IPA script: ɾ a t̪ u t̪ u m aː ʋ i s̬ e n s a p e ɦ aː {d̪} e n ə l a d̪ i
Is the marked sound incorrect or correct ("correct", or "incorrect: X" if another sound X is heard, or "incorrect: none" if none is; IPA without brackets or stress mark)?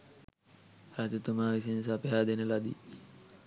correct